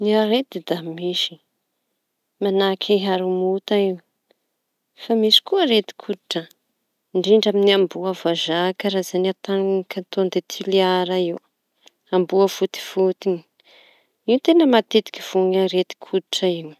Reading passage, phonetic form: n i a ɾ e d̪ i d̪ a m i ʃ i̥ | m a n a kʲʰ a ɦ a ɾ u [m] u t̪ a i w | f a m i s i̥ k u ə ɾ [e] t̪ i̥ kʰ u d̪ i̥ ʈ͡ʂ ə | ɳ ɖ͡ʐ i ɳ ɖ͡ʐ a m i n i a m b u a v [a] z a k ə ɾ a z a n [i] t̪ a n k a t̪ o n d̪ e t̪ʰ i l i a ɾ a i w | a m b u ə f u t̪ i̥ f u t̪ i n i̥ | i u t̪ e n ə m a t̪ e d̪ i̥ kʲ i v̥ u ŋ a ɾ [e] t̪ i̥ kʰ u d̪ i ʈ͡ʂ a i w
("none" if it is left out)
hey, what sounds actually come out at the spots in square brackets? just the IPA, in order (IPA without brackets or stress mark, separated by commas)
m, e, a, a, e